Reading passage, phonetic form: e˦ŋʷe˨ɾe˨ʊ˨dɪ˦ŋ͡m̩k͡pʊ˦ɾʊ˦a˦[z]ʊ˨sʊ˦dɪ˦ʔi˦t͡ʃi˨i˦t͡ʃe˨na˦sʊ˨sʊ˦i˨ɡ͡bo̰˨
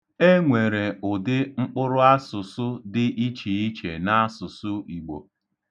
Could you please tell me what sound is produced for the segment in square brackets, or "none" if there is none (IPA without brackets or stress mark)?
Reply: s